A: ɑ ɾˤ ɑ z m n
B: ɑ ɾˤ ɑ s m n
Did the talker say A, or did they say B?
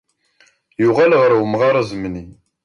A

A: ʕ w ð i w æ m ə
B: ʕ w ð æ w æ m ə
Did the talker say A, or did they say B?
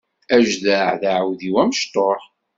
A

